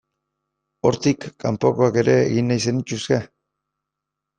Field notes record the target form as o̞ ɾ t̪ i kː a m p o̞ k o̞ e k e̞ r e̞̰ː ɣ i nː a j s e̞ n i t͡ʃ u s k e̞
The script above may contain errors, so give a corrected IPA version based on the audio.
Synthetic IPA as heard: o̞ ɾ t̪ i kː a m p o̞ k o̞ a k e̞ ɾ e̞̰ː ɣ i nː a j s e̞ n i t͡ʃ u s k e̞